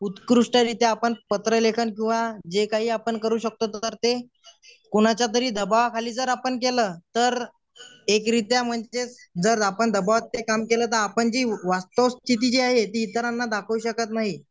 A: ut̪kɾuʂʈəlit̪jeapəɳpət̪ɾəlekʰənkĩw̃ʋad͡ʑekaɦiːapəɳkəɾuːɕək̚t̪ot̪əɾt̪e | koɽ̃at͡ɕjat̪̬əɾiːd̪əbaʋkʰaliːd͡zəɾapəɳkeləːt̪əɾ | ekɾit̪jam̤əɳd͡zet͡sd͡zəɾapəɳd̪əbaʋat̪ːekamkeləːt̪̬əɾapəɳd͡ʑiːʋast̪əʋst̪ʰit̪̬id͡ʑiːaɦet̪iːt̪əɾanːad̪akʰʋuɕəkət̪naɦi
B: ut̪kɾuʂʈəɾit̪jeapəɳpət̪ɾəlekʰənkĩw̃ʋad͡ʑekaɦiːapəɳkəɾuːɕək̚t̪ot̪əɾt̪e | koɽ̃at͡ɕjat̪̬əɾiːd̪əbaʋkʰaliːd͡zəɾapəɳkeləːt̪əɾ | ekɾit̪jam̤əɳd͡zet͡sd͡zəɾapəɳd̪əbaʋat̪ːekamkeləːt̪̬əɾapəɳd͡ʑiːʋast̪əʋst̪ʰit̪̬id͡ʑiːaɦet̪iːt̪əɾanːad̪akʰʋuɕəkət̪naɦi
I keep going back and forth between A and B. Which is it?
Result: B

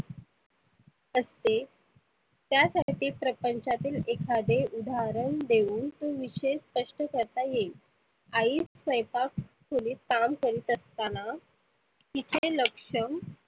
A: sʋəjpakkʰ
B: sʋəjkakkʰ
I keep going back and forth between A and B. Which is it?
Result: A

